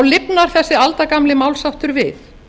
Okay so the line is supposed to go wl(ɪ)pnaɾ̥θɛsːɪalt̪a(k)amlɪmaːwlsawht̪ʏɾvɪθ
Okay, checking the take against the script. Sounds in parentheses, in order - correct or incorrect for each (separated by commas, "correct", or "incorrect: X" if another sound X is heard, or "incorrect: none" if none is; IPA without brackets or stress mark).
correct, correct